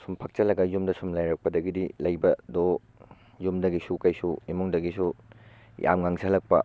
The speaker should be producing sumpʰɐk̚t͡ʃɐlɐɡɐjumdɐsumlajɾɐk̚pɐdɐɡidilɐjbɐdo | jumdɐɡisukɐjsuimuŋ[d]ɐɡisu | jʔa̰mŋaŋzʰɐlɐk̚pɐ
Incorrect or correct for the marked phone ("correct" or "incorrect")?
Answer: correct